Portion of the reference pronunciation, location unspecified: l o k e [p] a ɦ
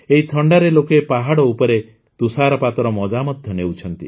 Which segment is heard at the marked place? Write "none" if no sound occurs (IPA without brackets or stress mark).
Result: p